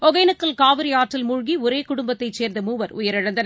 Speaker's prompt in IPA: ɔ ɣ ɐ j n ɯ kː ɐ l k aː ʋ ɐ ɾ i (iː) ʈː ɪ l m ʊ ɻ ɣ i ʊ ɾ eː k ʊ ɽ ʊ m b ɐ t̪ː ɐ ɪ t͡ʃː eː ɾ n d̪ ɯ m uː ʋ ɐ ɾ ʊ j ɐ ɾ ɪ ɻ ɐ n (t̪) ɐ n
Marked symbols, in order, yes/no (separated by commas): no, no